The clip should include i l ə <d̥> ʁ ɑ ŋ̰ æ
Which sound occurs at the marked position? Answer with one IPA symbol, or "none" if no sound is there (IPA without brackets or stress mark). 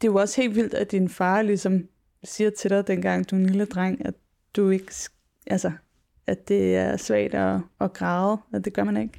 d̥